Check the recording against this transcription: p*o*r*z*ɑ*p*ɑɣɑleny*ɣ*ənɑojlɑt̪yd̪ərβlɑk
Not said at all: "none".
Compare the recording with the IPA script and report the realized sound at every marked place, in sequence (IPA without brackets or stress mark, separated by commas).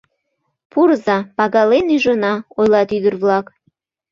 u, z, p, ʒ